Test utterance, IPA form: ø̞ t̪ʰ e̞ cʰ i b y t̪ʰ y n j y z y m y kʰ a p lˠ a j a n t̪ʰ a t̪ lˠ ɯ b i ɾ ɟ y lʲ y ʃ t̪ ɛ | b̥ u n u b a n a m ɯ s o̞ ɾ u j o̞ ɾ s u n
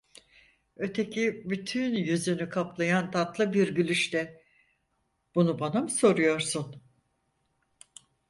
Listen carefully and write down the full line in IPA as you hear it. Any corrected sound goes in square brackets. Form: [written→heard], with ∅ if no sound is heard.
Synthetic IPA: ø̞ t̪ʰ e̞ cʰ i b y t̪ʰ y n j y z y [m→n] y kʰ a p lˠ a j a n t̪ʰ a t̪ lˠ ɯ b i ɾ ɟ y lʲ y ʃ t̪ ɛ | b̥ u n u b a n a m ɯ s o̞ ɾ u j o̞ ɾ s u n